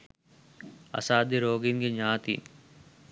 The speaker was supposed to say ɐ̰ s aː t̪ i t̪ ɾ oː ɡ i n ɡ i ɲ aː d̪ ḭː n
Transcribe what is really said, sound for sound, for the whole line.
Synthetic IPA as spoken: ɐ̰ s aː d̪ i ɾ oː ɡ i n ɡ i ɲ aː t̪ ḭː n